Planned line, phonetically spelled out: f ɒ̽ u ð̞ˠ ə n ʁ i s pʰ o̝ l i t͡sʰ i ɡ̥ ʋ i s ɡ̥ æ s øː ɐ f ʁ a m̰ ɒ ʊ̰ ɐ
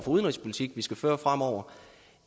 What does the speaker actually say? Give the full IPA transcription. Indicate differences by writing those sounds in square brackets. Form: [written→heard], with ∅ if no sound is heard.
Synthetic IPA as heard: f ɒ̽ u ð̞ˠ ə n ʁ i s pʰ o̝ l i t͡sʰ i ɡ̥ ʋ i s ɡ̥ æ [s→f] øː ɐ f ʁ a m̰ ɒ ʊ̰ ɐ

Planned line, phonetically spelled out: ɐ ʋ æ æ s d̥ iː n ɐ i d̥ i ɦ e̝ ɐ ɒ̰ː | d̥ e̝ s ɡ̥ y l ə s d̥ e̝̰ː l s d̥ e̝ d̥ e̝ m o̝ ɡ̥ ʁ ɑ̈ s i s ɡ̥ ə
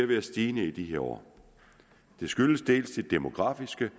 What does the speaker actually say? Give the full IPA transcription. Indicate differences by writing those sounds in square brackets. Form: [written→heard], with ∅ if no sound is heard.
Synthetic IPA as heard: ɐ ʋ [æ→e] æ s d̥ iː n [ɐ→ə] i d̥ i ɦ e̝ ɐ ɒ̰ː | d̥ e̝ s ɡ̥ y l ə s d̥ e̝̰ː l s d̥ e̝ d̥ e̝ m o̝ ɡ̥ ʁ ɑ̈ [s→f] i s ɡ̥ ə

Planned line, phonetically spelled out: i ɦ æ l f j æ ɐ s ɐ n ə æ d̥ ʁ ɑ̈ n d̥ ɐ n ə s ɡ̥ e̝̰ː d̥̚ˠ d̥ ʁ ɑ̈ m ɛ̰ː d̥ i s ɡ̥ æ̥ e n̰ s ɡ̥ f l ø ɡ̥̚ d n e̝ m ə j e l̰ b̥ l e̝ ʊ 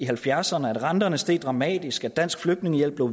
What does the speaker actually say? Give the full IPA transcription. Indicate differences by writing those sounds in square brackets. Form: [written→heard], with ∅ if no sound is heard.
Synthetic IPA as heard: i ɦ æ l f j æ ɐ s ɐ n ə æ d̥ ʁ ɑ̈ n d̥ ɐ n ə s [ɡ̥→d̥] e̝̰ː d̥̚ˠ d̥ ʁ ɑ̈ m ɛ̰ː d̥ i s ɡ̥ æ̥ [e→æ] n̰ s ɡ̥ f l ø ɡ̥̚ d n e̝ [m→ŋ] ə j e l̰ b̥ l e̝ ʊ

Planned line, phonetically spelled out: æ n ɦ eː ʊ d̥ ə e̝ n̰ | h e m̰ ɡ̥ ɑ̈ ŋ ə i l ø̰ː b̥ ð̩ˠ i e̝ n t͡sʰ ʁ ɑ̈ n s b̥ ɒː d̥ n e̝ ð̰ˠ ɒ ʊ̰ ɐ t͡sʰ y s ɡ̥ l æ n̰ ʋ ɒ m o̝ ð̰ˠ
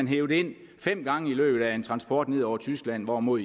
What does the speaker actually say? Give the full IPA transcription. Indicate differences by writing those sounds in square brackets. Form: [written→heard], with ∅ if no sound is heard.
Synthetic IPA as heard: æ n ɦ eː ʊ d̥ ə e̝ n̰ | [h→f] e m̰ ɡ̥ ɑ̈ ŋ ə i l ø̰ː b̥ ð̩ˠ [i→æ] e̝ n t͡sʰ ʁ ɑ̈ n s b̥ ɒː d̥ n e̝ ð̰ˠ ɒ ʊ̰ ɐ t͡sʰ y s ɡ̥ l æ n̰ ʋ ɒ m o̝ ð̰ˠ

